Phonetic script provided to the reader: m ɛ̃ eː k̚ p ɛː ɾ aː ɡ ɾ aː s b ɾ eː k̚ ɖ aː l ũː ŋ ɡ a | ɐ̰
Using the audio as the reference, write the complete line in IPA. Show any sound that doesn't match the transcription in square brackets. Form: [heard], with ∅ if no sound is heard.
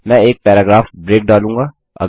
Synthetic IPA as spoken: m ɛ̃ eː k̚ p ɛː ɾ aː ɡ ɾ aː [f] b ɾ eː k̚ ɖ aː l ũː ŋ ɡ a | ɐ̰